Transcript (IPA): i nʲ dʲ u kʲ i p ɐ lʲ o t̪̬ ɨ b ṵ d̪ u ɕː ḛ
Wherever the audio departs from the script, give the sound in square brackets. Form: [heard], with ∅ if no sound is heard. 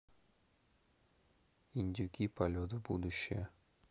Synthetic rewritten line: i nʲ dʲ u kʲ i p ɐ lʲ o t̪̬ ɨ b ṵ d̪ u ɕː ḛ